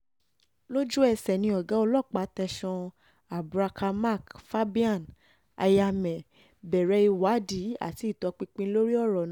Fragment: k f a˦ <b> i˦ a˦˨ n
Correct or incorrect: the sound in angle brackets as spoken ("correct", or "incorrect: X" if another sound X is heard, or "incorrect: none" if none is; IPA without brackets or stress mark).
correct